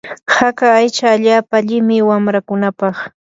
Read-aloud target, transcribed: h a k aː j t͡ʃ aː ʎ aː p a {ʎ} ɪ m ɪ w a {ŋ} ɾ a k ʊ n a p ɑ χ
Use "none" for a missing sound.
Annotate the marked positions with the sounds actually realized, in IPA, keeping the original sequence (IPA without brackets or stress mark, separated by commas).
ʎ, m